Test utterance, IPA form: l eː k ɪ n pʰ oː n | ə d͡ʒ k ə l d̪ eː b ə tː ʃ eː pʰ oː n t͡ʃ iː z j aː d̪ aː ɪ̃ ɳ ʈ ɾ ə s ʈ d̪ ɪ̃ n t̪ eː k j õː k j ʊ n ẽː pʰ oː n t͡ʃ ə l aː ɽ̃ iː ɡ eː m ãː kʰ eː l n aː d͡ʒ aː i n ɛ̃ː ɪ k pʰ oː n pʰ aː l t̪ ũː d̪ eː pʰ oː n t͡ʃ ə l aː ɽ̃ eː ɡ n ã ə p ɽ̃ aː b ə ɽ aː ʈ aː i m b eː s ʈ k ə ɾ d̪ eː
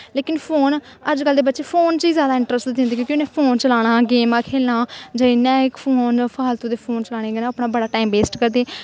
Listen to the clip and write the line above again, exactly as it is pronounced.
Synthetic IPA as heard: l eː k ɪ n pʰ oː n | ə d͡ʒ k ə l d̪ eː b ə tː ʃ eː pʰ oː n t͡ʃ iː z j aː d̪ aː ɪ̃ ɳ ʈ ɾ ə s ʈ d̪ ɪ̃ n d̪ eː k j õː k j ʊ n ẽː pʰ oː n t͡ʃ ə l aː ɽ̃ aː ɡ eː m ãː kʰ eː l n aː d͡ʒ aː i n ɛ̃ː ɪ k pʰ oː n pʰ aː l t̪ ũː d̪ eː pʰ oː n t͡ʃ ə l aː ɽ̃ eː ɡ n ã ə p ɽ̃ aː b ə ɽ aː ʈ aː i m b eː s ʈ k ə ɾ d̪ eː